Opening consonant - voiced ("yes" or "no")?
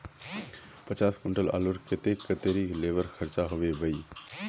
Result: no